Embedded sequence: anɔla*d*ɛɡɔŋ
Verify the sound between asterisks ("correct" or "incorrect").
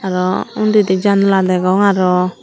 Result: correct